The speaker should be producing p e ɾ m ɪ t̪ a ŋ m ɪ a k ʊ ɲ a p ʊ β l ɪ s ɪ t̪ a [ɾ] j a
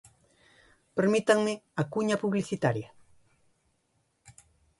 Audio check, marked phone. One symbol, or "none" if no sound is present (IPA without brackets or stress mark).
ɾ